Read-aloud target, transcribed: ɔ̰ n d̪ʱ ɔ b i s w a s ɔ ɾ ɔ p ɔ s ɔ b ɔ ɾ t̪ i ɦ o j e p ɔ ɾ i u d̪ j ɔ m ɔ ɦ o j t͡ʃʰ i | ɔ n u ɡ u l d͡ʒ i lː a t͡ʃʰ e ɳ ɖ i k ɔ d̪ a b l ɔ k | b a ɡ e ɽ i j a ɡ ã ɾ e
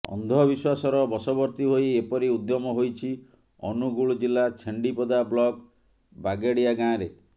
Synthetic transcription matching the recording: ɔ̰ n d̪ʱ ɔ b i s w a s ɔ ɾ ɔ b ɔ s ɔ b ɔ ɾ t̪ i ɦ o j e p ɔ ɾ i u d̪ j ɔ m ɔ ɦ o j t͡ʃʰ i | ɔ n u ɡ u ɭ d͡ʒ i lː a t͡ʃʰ e ɳ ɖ i p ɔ d̪ a b l ɔ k | b a ɡ e ɽ i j a ɡ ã ɾ e